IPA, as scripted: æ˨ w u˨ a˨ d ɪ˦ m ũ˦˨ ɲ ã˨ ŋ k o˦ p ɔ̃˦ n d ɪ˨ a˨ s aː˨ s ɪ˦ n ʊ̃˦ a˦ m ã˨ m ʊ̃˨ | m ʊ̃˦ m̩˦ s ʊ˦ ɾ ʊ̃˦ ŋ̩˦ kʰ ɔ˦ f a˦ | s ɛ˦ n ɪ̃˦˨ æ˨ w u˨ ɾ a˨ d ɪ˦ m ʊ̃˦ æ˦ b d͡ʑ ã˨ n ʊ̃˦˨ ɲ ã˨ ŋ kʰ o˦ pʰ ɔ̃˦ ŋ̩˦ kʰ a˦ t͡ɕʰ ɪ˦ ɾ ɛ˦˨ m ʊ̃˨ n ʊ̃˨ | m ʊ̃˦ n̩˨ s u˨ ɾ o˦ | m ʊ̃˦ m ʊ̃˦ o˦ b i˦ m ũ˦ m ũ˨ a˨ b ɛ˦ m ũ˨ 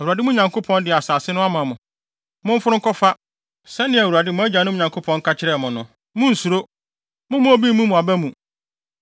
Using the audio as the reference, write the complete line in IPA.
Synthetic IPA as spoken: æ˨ w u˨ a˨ d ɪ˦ m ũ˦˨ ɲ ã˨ ŋ k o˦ pʰ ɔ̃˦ n d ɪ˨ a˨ s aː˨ s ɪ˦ n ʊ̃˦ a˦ m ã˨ m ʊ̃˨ | m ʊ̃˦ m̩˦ f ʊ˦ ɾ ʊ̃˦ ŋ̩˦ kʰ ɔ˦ f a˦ | s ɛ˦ n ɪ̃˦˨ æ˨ w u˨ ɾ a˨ d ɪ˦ m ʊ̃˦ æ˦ d͡ʑ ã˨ n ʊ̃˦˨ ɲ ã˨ ŋ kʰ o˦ pʰ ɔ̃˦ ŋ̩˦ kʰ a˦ t͡ɕʰ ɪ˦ ɾ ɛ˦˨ m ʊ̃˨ n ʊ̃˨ | m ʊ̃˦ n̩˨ s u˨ ɾ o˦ | m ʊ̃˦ m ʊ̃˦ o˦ b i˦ m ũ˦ m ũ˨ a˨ b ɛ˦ m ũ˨